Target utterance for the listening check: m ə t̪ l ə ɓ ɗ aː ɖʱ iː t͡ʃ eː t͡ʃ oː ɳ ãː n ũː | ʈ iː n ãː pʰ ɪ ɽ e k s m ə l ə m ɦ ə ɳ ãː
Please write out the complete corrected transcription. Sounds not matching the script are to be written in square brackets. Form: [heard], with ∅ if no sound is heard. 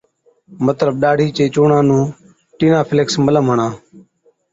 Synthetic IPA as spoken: m ə t̪ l ə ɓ ɗ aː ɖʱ iː t͡ʃ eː t͡ʃ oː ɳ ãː n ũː | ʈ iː n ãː pʰ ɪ [l] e k s m ə l ə m ɦ ə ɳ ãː

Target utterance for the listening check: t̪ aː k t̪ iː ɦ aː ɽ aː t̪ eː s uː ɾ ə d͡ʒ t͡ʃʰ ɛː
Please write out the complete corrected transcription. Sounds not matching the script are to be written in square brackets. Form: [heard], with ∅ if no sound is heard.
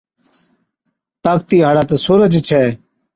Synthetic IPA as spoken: t̪ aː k t̪ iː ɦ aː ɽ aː t̪ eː s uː ɾ ə d͡ʒ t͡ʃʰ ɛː

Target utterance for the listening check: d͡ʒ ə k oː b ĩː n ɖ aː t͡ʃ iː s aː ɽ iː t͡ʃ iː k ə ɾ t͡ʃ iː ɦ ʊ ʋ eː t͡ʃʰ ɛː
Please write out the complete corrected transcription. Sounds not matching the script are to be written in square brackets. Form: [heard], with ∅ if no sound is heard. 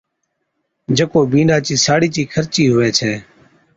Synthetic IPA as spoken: d͡ʒ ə k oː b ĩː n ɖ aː t͡ʃ iː s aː ɽ iː t͡ʃ iː [kʰ] ə ɾ t͡ʃ iː ɦ ʊ ʋ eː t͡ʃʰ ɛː

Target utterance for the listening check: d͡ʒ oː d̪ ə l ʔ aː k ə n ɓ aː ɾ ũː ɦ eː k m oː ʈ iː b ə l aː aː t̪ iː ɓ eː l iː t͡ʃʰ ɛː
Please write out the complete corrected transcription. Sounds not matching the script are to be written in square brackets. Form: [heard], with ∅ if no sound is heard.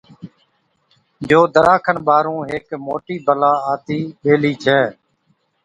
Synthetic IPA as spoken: d͡ʒ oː d̪ ə [ɾ] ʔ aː [kʰ] ə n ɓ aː ɾ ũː ɦ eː k m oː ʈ iː b ə l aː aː t̪ iː ɓ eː l iː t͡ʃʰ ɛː

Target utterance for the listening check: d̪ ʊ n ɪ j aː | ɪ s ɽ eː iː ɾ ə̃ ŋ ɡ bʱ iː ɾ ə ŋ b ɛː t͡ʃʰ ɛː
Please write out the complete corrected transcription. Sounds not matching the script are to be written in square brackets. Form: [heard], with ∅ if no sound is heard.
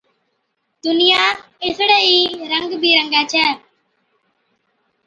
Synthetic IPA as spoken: d̪ ʊ n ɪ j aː | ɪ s ɽ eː iː ɾ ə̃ ŋ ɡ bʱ iː ɾ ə ŋ [ɡ] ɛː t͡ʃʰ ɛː

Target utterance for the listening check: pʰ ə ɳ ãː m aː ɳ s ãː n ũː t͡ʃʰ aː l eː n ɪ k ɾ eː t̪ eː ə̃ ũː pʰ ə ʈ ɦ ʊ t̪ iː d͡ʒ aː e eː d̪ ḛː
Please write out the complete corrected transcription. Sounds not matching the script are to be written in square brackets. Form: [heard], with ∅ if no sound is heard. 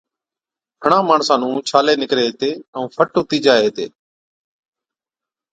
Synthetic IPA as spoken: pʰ ə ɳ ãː m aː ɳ s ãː n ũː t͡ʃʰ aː l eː n ɪ k ɾ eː t̪ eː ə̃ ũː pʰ ə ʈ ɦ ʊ t̪ iː d͡ʒ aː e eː [t̪] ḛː

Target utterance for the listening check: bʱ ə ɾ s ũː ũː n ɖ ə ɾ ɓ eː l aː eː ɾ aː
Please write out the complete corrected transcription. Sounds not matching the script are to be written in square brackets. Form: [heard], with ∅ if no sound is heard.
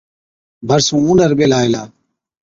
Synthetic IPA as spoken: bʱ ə ɾ s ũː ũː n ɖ ə ɾ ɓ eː l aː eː [l] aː

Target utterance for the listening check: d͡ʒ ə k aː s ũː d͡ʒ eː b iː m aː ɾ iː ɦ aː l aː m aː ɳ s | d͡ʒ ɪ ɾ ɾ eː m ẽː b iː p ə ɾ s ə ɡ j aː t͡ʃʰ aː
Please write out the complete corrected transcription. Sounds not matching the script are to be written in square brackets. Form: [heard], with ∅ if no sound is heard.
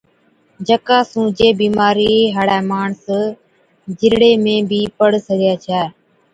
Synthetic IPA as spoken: d͡ʒ ə k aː s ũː d͡ʒ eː b iː m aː ɾ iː ɦ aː [ɽ] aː m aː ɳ s | d͡ʒ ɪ ɾ [ɽ] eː m ẽː b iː p ə [ɽ] s ə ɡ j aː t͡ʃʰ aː

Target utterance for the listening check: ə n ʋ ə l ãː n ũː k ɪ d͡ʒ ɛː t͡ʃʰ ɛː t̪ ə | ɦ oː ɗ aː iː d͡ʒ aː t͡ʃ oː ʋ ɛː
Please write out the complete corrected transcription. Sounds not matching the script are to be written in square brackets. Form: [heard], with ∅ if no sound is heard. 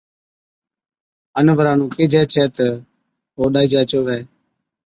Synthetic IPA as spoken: ə n ʋ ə [ɾ] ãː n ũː k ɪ d͡ʒ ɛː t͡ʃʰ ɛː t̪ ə | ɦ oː ɗ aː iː d͡ʒ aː t͡ʃ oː ʋ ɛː

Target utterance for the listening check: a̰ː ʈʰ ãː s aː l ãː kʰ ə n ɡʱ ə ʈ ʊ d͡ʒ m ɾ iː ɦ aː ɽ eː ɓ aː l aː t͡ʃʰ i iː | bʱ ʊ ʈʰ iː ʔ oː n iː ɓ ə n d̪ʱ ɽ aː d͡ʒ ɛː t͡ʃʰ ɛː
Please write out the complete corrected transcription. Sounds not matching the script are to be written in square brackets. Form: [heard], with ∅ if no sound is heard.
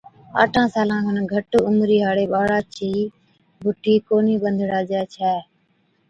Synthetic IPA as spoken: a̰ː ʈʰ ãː s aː l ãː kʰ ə n ɡʱ ə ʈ ʊ [∅] m ɾ iː ɦ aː ɽ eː ɓ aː [ɽ] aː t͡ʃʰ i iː | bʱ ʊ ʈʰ iː [k] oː n iː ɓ ə n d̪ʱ ɽ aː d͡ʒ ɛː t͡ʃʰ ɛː

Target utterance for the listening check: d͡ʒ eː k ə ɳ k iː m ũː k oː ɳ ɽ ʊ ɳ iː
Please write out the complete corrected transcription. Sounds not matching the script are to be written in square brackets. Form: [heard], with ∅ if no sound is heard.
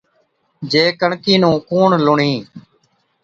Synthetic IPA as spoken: d͡ʒ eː k ə ɳ k iː [n] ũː k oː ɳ [l] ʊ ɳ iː

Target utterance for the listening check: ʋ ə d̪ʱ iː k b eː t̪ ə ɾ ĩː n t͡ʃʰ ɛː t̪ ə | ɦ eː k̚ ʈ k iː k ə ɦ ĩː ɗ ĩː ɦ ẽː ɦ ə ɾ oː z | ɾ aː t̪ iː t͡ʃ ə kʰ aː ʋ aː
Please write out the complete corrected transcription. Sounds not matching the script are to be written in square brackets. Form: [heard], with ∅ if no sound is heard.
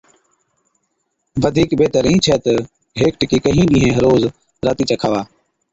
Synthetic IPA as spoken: ʋ ə d̪ʱ iː k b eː t̪ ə ɾ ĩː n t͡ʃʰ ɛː t̪ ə | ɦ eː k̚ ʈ k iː k ə ɦ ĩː ɗ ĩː ɦ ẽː ɦ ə ɾ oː z | ɾ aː t̪ iː t͡ʃ ə kʰ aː ʋ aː

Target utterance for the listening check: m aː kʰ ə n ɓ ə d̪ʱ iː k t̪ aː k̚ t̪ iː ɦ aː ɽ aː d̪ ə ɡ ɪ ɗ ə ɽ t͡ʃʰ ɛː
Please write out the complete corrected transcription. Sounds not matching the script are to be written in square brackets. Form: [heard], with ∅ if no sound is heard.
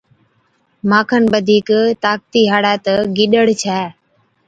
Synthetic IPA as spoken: m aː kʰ ə n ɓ ə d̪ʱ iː k t̪ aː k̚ t̪ iː ɦ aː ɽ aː [t̪] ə ɡ ɪ ɗ ə ɽ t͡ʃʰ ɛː

